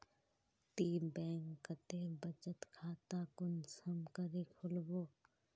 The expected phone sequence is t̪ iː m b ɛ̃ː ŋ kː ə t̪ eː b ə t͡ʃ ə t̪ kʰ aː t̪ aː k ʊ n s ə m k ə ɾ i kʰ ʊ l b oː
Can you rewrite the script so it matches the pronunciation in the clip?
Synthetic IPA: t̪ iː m b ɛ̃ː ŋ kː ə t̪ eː b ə t͡ʃ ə t̪ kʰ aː t̪ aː k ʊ n s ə m k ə ɾ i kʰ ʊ l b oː